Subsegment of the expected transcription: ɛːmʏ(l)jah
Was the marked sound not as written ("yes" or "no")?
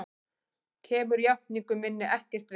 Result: yes